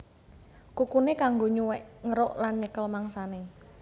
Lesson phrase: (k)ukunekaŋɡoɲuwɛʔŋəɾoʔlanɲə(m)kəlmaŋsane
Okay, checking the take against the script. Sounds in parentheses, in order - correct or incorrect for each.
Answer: correct, incorrect

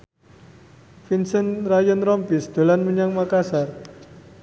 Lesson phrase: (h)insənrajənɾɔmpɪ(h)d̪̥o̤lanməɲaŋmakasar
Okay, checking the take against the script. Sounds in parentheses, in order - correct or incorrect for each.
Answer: incorrect, incorrect

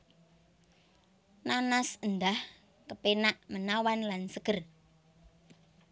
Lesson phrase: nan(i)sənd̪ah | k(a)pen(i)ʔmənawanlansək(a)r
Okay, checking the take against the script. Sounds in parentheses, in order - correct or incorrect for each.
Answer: incorrect, incorrect, incorrect, incorrect

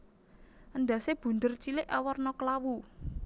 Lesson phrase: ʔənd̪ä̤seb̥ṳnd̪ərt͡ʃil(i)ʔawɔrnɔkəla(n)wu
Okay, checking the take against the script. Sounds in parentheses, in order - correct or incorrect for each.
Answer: incorrect, incorrect

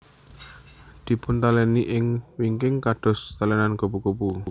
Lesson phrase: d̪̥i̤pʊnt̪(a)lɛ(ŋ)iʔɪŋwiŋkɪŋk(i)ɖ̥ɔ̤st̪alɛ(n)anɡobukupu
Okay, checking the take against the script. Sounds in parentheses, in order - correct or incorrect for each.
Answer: correct, incorrect, incorrect, correct

